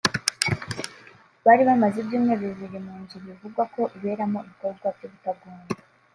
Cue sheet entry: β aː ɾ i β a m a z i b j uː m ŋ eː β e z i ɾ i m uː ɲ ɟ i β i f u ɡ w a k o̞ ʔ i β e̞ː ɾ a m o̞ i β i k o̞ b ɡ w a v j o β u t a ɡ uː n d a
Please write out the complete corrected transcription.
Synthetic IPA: β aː ɾ i β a m a z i b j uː m ŋ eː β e z i ɾ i m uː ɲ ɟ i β i v u ɡ w a k o̞ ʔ i β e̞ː ɾ a m o̞ i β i k o̞ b ɡ w a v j o β u t a ɡ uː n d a